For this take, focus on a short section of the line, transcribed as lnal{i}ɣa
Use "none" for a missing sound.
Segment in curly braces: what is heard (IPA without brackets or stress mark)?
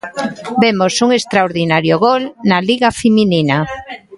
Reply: i